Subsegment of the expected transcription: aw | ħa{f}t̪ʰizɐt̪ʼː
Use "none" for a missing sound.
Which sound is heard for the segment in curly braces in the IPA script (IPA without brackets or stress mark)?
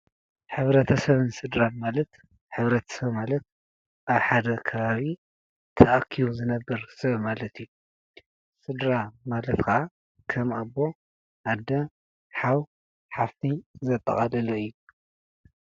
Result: f